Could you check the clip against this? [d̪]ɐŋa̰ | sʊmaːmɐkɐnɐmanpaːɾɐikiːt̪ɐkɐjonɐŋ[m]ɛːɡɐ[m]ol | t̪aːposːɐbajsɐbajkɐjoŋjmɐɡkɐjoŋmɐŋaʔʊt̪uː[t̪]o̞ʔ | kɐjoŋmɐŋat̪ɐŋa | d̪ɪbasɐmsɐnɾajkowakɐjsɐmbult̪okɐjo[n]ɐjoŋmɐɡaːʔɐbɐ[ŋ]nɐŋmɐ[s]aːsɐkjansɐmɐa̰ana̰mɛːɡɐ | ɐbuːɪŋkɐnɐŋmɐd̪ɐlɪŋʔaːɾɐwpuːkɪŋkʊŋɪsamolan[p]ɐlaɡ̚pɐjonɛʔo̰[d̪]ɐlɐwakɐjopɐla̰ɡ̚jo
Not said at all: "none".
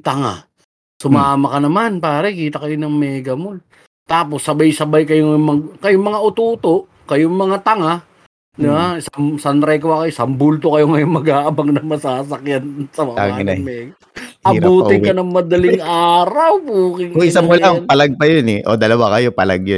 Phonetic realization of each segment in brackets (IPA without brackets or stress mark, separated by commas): t̪, m, m, t̪, ŋ, ŋ, s, p, d̪